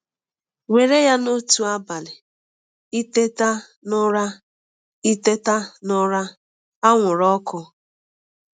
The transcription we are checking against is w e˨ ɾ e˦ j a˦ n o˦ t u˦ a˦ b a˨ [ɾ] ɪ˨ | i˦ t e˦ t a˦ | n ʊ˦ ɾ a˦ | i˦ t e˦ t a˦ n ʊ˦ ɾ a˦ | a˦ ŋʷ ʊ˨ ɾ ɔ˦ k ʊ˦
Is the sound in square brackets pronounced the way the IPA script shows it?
no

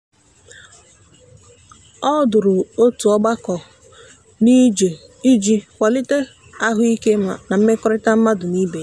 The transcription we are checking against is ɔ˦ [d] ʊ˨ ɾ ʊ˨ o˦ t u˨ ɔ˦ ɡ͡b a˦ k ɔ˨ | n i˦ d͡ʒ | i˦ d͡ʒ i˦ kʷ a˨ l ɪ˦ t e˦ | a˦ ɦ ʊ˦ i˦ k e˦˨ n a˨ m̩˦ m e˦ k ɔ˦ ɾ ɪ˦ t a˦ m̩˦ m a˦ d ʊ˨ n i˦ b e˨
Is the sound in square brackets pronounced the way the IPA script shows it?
yes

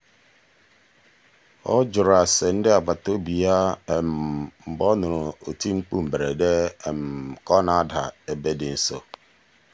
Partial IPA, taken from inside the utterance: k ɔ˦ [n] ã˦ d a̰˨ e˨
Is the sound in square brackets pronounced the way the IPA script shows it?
yes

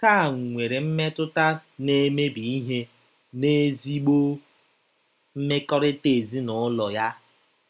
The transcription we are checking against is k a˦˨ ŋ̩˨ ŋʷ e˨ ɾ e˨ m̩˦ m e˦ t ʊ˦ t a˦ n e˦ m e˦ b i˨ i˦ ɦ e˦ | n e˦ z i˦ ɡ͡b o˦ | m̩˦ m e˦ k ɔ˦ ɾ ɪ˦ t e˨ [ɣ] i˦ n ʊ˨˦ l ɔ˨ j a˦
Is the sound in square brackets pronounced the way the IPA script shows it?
no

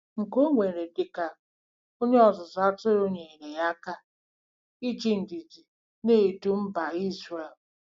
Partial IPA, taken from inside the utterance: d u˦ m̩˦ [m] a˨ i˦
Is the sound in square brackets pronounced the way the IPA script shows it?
no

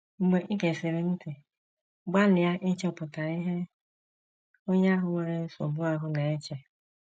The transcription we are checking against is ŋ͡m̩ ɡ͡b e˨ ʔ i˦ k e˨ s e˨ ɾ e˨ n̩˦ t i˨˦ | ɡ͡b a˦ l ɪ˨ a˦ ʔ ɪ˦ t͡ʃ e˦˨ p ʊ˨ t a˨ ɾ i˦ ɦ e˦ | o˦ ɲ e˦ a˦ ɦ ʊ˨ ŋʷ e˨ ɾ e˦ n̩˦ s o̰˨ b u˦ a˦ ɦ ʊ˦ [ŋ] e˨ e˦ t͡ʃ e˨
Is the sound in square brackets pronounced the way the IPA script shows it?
no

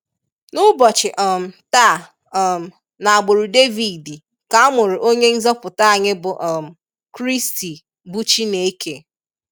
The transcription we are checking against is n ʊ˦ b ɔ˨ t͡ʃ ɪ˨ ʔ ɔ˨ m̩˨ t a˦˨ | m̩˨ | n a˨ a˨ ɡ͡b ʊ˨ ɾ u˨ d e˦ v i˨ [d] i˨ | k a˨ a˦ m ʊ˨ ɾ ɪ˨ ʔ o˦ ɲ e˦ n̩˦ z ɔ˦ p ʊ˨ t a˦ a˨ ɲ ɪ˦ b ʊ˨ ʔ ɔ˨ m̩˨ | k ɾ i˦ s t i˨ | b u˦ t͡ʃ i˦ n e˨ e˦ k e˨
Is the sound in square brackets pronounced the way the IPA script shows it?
yes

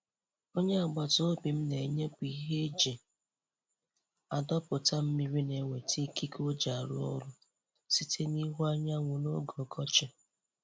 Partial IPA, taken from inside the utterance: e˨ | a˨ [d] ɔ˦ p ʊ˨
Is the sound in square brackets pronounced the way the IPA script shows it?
yes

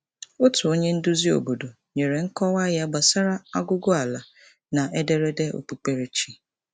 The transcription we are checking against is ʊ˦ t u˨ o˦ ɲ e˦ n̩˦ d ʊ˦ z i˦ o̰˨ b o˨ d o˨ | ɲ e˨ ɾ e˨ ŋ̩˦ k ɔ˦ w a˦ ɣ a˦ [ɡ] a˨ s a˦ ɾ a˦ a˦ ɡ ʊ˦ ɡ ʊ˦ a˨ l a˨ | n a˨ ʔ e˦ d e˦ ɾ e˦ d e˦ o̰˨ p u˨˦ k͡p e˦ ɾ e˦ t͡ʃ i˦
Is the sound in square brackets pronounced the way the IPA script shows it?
no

